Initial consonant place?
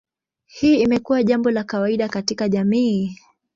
glottal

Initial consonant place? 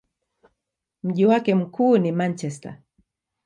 labial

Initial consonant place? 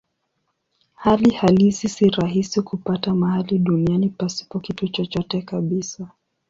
glottal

